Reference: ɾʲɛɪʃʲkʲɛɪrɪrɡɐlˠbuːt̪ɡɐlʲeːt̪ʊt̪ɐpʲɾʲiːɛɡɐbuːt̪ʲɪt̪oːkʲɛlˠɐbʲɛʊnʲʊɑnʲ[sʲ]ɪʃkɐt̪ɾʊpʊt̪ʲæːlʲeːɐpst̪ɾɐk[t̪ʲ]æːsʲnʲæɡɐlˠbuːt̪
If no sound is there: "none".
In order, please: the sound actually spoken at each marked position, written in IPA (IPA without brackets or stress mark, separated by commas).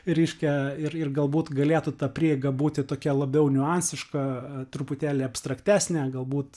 sʲ, t̪ʲ